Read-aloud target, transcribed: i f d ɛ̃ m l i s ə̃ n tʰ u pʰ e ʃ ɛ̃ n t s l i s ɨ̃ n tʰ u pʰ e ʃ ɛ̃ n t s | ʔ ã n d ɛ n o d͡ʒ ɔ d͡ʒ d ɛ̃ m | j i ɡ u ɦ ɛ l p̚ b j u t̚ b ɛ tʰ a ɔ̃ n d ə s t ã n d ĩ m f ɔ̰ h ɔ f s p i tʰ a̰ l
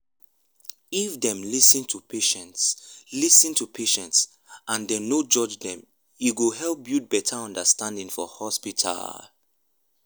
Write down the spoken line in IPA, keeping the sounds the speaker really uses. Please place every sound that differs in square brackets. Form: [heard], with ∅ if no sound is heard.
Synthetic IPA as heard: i f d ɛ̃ m l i s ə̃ n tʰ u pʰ e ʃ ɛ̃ n t s l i s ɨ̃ n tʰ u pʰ e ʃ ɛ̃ n t s | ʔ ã n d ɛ n o d͡ʒ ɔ d͡ʒ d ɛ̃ m | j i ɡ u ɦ ɛ l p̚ b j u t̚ b ɛ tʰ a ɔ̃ n d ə s t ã n d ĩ [ŋ] f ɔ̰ h ɔ [∅] s p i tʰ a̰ l